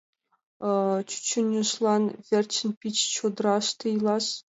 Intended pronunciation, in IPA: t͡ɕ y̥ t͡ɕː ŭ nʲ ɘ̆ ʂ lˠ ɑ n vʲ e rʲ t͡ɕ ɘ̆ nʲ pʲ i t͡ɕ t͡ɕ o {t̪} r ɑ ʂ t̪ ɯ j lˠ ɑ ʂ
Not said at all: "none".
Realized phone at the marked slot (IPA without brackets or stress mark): d̪